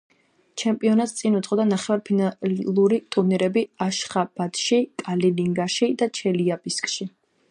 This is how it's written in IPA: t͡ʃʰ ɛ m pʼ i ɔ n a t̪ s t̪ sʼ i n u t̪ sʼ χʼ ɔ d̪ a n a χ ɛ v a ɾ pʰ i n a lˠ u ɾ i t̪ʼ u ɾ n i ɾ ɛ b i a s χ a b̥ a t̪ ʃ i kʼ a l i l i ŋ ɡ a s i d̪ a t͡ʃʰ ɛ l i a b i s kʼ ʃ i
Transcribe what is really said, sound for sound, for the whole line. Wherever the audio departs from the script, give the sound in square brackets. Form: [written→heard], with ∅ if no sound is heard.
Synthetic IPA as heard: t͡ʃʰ ɛ m pʼ i ɔ n a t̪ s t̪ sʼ i n u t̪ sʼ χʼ ɔ d̪ a n a χ ɛ v a ɾ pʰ i n a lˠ u ɾ i t̪ʼ u ɾ n i ɾ ɛ b i a [s→ʃ] χ a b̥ a t̪ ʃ i kʼ a l i l i ŋ ɡ a [s→ʃ] i d̪ a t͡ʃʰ ɛ l i a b i s kʼ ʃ i